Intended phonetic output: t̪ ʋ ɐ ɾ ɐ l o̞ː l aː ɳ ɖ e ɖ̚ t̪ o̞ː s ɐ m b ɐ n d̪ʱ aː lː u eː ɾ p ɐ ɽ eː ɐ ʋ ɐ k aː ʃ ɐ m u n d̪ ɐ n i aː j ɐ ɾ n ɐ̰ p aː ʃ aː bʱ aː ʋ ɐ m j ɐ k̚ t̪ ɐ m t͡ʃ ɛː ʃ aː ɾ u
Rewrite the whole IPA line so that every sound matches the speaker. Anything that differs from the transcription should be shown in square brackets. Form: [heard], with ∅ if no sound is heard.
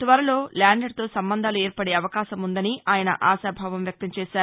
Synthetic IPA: t̪ ʋ ɐ ɾ ɐ l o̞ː l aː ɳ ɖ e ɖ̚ t̪ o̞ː s ɐ m b ɐ n d̪ʱ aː [l] u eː ɾ p ɐ ɽ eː ɐ ʋ ɐ k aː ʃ ɐ m u n d̪ ɐ n i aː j ɐ [∅] n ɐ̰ [ʔ] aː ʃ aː bʱ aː ʋ ɐ m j ɐ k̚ t̪ ɐ m t͡ʃ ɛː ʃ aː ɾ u